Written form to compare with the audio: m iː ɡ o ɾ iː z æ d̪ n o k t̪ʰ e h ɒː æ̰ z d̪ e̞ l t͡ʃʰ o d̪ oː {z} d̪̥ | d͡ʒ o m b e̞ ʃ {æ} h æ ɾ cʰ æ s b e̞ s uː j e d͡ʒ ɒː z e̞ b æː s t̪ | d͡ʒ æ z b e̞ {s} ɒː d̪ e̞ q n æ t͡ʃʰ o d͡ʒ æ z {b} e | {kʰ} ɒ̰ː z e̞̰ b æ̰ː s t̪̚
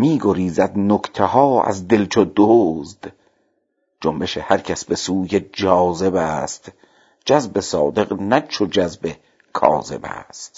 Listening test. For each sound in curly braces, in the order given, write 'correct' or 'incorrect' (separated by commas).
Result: correct, incorrect, correct, correct, correct